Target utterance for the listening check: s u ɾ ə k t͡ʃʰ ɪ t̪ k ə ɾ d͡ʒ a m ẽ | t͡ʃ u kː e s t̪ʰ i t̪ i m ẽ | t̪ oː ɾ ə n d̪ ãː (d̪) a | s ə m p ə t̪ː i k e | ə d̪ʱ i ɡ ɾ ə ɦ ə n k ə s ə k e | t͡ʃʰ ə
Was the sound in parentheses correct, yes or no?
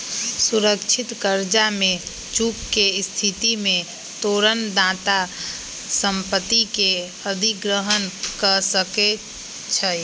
no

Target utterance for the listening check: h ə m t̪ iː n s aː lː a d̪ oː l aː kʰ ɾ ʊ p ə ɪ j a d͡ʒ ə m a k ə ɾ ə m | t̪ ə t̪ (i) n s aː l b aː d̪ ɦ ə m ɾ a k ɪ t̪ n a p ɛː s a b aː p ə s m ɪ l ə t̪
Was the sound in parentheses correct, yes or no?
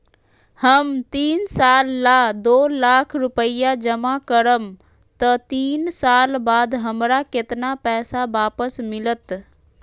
no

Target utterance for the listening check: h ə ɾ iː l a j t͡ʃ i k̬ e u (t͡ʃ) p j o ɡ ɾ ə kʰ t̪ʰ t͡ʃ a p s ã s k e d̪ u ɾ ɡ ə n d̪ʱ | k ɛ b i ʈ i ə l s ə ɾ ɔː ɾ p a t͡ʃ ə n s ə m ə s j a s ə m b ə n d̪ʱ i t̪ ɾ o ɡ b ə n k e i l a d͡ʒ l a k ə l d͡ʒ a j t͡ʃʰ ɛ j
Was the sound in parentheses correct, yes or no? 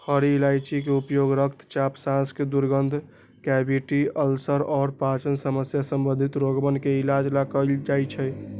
no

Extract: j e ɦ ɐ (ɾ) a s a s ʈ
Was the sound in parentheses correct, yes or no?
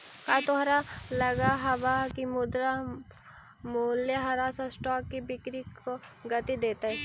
yes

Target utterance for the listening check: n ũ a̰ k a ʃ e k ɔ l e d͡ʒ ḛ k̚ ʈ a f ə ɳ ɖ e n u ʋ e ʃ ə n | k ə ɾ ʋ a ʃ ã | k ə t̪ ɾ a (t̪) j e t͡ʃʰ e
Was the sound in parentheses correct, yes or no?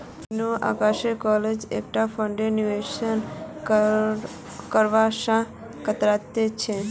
yes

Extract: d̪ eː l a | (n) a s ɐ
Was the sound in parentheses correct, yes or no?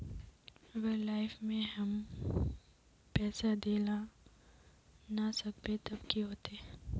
yes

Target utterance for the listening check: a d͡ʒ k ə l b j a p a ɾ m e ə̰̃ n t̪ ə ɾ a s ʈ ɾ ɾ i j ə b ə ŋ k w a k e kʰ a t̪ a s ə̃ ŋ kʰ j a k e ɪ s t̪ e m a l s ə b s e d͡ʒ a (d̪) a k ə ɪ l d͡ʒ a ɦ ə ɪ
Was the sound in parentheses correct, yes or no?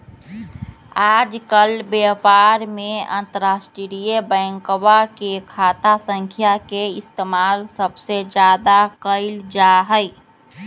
yes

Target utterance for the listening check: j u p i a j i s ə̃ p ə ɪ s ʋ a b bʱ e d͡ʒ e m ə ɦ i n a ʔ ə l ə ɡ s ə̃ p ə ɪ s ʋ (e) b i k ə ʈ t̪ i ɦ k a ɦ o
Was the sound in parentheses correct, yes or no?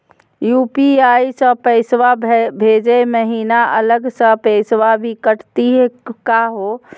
no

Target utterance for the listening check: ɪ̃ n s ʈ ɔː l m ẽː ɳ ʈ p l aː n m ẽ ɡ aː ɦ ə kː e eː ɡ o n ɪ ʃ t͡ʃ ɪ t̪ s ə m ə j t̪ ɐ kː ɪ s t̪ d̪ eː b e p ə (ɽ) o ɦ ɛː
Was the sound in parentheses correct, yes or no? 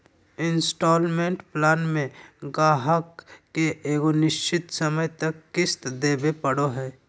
yes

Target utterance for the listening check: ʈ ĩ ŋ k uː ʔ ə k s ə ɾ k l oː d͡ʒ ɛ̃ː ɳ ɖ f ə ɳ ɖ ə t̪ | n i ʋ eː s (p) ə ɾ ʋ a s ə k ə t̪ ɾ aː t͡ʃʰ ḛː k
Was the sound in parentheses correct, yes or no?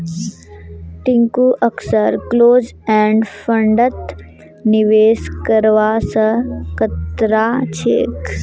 no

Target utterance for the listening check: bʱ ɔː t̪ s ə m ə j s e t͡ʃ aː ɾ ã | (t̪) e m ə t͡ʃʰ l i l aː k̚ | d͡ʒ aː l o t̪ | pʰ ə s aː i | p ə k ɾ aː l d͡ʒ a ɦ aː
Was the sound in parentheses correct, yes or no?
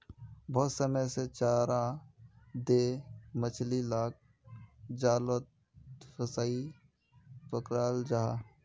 no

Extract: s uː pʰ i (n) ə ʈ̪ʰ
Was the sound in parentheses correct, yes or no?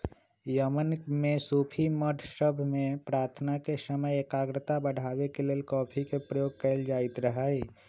no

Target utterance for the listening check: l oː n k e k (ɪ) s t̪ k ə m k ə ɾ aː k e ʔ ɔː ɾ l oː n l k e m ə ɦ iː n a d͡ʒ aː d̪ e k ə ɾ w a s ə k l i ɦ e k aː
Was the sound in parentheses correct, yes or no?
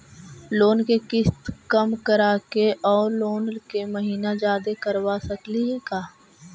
yes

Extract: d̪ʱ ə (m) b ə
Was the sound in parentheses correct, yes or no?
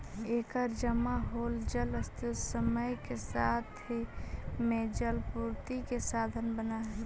no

